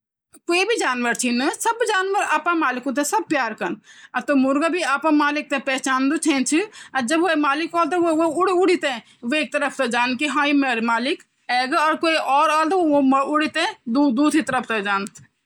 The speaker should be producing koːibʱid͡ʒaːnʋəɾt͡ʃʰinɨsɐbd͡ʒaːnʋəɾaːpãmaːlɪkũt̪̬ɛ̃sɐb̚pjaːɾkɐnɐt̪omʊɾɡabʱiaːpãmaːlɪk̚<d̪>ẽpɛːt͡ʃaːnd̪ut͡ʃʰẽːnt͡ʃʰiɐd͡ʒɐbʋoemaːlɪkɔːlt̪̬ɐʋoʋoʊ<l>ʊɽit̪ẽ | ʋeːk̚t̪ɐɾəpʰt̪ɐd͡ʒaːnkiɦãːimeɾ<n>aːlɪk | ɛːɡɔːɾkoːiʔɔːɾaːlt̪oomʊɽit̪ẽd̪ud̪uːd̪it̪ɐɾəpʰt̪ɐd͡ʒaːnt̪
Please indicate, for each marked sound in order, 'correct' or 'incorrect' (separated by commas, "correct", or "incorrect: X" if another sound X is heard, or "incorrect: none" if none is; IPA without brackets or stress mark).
incorrect: t̪, incorrect: ɽ, incorrect: m